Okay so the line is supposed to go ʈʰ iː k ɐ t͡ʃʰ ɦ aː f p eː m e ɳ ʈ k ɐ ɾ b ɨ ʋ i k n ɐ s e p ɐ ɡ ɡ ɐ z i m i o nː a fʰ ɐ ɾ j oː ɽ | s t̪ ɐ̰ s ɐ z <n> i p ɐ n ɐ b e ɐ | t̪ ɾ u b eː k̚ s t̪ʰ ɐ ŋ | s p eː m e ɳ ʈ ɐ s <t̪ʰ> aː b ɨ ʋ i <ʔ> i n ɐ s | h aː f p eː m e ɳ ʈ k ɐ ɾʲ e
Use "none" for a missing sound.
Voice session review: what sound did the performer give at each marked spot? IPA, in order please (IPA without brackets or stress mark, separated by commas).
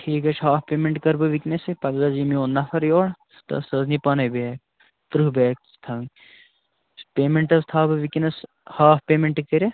n, t̪ʰ, k